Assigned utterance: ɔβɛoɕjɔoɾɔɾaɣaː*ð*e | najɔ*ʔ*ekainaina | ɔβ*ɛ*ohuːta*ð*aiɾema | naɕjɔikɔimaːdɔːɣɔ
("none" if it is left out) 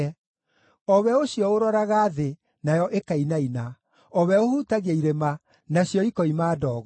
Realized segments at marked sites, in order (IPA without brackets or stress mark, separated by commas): ð, ʔ, ɛ, ɣ